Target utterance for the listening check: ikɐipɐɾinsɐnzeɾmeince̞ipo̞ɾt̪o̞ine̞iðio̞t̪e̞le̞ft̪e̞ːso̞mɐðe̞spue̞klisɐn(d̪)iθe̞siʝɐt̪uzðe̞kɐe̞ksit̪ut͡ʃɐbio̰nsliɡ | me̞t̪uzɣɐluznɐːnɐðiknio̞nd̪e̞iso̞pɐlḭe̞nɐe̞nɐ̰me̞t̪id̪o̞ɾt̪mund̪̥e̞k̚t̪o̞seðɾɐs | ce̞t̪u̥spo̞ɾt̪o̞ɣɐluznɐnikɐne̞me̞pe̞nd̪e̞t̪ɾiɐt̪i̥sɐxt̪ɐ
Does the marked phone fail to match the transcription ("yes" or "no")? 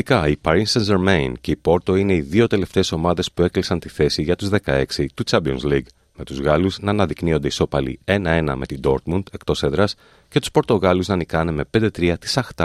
yes